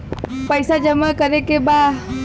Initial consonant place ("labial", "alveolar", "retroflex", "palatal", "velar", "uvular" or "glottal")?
labial